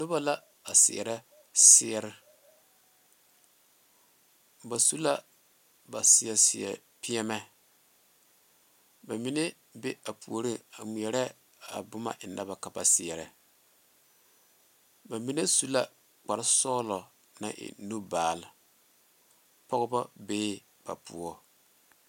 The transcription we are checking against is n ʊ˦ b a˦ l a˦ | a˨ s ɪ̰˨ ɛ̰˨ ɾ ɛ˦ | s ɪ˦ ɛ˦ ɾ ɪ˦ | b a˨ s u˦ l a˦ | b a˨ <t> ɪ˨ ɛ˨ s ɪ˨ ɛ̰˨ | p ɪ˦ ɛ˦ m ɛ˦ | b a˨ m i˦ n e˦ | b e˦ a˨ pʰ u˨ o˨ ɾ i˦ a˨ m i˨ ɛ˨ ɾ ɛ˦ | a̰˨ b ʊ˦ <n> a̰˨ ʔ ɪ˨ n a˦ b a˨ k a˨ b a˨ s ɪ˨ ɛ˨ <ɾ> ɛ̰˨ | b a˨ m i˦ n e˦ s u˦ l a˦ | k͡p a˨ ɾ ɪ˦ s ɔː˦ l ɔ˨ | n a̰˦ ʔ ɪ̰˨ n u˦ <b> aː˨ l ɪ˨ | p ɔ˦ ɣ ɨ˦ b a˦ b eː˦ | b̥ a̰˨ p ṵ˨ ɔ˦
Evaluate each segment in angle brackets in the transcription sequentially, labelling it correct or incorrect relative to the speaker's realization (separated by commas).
incorrect, incorrect, correct, correct